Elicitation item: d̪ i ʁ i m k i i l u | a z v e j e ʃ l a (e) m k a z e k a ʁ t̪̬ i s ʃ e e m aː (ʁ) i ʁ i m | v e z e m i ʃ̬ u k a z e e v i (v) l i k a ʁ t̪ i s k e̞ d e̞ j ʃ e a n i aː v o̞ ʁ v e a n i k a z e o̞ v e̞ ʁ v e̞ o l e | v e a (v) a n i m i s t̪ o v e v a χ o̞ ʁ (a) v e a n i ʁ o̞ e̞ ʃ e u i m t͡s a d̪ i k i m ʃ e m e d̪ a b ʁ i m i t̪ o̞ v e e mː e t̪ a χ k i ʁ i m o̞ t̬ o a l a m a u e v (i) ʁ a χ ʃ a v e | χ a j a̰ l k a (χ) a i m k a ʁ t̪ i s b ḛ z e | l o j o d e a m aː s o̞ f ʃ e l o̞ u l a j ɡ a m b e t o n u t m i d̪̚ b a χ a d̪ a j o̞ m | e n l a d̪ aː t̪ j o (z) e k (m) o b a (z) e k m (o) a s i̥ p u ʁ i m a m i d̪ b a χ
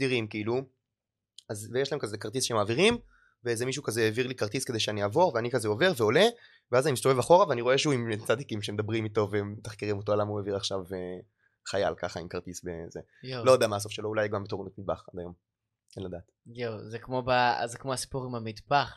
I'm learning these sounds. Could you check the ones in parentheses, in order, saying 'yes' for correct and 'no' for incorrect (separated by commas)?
yes, no, no, no, yes, yes, yes, yes, yes, yes, yes